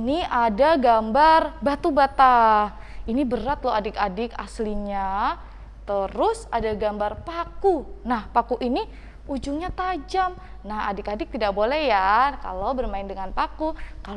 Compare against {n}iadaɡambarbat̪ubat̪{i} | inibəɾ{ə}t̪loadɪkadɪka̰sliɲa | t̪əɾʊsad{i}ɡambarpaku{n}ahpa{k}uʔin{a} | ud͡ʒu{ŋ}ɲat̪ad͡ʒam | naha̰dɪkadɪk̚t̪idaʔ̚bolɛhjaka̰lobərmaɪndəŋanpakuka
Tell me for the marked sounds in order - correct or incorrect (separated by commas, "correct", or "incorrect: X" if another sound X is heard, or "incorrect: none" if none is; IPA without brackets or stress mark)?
correct, incorrect: a, incorrect: a, incorrect: a, correct, correct, incorrect: i, correct